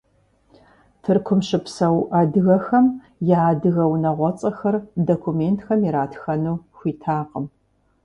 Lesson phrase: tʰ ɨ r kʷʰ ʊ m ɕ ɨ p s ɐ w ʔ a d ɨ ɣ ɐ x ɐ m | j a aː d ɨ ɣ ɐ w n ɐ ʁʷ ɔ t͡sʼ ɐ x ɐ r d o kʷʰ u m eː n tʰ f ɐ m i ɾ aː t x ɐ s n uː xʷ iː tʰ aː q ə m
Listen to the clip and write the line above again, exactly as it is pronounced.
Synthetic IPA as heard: tʰ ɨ r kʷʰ ʊ m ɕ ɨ p s ɐ w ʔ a d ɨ ɣ ɐ x ɐ m | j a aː d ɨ ɣ ɐ w n ɐ ʁʷ ɔ t͡sʼ ɐ x ɐ r d o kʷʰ u m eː n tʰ x ɐ m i ɾ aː t x ɐ n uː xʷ iː tʰ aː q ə m